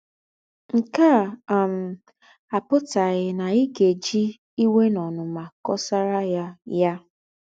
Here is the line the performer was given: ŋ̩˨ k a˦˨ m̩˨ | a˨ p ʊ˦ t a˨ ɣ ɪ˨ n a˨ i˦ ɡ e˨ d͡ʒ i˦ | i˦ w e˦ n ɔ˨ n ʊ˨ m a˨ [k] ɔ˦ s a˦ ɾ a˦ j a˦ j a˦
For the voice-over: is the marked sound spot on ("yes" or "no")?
yes